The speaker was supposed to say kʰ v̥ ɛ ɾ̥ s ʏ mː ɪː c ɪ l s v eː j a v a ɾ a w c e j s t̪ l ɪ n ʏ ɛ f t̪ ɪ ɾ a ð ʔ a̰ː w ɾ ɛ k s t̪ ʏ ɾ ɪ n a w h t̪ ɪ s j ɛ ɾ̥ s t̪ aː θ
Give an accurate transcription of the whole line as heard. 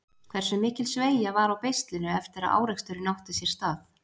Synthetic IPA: kʰ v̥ ɛ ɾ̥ s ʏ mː ɪː c ɪ l s v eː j a v a ɾ a w p e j s t̪ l ɪ n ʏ ɛ f t̪ ɪ ɾ a ð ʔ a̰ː w ɾ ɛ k s t̪ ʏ ɾ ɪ n a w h t̪ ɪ s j ɛ ɾ̥ s t̪ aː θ